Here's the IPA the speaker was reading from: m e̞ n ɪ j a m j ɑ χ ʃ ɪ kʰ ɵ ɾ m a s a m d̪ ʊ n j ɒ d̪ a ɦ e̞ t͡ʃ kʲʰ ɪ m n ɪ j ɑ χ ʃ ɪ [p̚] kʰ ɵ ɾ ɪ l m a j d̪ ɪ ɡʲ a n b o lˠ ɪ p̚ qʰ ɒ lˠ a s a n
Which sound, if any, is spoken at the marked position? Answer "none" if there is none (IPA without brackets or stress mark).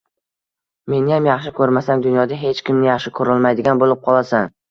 none